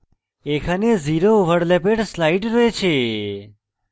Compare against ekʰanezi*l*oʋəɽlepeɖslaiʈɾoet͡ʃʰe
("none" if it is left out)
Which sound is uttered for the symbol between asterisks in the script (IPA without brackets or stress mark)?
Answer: ɾ